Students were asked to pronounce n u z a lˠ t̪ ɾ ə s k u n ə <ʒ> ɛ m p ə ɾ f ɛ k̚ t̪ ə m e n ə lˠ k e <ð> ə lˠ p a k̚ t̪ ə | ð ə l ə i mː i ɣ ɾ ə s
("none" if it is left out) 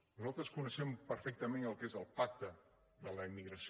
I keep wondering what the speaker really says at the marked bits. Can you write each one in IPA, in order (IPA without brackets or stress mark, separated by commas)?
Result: ʃ, z